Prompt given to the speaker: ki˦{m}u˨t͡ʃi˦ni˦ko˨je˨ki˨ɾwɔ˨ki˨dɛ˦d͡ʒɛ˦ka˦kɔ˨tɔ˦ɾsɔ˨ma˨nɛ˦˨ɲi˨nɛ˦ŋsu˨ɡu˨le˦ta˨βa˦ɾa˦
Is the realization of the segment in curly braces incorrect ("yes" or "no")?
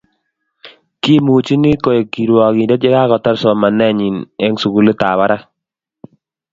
no